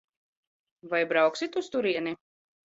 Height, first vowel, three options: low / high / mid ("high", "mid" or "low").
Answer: low